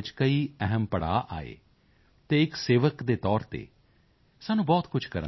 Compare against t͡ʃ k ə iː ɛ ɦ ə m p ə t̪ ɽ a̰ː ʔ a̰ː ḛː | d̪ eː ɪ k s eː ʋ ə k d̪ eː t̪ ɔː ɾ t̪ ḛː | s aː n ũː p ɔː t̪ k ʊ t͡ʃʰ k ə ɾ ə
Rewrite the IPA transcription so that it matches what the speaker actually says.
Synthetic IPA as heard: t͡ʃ k ə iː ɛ ɦ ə m p ə ɽ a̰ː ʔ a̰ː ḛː | t̪ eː ɪ k s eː ʋ ə k d̪ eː t̪ ɔː ɾ t̪ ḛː | s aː n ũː b ɔː t̪ k ʊ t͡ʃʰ k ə ɾ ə